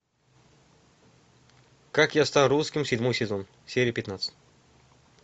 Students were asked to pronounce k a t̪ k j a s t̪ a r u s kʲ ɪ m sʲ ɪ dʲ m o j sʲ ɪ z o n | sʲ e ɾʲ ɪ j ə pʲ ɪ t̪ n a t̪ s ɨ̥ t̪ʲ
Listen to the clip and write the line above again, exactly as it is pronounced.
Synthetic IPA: k a k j a s t̪ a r u s kʲ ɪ m sʲ ɪ dʲ m o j sʲ ɪ z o n | sʲ e ɾʲ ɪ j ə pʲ ɪ t̪ n a t̪ s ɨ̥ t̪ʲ